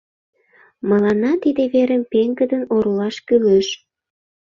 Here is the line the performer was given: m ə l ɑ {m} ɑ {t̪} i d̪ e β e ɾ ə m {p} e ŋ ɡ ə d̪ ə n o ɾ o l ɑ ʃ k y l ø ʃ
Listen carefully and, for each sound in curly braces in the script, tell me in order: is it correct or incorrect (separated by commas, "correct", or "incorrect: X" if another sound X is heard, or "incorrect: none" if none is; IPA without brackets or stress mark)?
incorrect: n, correct, correct